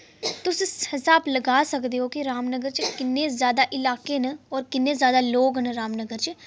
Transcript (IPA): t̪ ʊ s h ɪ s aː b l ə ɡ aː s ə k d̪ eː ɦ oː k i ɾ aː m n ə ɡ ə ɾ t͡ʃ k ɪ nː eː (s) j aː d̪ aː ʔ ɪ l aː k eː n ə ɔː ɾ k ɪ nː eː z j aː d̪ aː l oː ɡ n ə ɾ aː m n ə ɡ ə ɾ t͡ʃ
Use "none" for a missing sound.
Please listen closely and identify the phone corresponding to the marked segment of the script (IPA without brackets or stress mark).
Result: z